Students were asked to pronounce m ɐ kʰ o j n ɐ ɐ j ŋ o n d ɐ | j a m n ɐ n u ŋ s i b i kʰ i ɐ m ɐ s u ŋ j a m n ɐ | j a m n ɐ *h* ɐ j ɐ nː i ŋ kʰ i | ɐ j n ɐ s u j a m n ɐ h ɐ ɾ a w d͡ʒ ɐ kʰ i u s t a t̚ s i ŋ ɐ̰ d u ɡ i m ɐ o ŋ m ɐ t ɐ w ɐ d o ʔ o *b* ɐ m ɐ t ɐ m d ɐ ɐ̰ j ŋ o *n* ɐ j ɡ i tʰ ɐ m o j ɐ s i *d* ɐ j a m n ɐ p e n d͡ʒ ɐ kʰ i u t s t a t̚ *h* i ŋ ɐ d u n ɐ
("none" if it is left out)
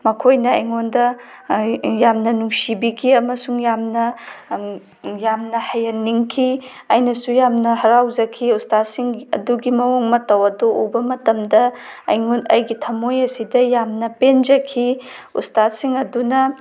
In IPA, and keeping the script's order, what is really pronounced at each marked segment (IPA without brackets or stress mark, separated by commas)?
h, b, n, d, s